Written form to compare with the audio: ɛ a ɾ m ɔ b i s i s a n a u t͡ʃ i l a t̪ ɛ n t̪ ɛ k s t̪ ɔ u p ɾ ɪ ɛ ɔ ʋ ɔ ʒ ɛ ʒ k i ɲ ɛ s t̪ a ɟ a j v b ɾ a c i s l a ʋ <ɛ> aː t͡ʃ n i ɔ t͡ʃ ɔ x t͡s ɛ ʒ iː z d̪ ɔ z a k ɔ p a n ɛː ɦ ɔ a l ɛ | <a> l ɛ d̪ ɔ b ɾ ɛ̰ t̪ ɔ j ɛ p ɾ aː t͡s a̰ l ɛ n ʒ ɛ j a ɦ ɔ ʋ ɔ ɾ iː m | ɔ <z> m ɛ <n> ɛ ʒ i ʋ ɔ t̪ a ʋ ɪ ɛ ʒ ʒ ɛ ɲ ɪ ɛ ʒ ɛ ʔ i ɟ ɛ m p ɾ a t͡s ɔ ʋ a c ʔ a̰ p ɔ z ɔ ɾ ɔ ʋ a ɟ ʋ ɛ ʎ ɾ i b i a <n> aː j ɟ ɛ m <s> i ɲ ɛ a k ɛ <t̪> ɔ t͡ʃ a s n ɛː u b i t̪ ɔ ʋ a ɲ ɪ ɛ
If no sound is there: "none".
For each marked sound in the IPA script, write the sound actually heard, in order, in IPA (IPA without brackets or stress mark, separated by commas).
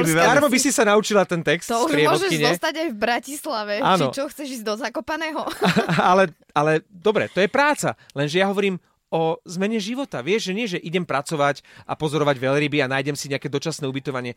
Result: ɛ, a, z, ɲ, n, s, d̪